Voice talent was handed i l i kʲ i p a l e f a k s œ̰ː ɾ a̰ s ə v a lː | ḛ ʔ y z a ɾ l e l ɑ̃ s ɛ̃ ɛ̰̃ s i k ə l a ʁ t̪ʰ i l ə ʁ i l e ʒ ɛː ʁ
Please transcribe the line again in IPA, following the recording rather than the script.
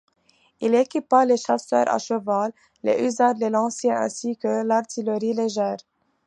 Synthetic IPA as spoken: i l e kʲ i p a l e ʃ a s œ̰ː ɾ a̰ ʃ ə v a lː | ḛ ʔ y z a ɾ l e l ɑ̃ s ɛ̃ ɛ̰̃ s i k ə l a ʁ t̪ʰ i l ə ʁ i l e ʒ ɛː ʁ